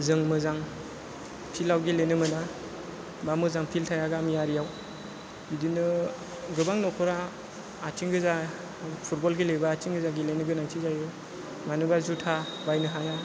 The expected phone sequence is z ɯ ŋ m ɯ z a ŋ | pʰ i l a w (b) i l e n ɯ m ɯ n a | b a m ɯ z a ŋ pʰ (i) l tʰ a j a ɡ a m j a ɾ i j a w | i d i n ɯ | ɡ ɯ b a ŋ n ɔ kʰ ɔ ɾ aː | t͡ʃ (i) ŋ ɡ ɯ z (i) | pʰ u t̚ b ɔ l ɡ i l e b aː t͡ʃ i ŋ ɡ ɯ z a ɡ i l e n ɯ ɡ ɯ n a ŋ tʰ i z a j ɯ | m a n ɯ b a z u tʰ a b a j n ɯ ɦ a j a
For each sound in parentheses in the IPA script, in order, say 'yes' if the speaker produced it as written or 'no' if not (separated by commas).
no, yes, yes, no